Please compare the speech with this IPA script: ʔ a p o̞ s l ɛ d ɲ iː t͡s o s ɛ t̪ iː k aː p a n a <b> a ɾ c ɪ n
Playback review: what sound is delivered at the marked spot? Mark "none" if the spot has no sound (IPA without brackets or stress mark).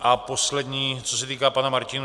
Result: m